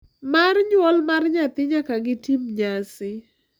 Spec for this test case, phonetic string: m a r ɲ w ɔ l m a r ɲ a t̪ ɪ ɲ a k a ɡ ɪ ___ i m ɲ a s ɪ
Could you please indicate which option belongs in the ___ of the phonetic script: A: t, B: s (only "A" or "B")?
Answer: A